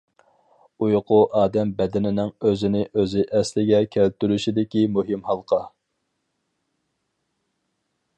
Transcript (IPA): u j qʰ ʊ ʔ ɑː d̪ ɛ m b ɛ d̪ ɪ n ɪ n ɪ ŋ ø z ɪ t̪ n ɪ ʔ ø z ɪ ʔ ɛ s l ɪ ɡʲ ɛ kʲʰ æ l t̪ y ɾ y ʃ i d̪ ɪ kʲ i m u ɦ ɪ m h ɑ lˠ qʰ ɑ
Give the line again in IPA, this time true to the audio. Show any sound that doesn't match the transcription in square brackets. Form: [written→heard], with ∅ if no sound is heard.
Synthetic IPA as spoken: u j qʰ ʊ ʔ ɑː d̪ ɛ m b ɛ d̪ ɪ n ɪ n ɪ ŋ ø z ɪ [t̪→∅] n ɪ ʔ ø z ɪ ʔ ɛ s l ɪ ɡʲ ɛ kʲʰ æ l t̪ y ɾ y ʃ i d̪ ɪ kʲ i m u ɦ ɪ m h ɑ lˠ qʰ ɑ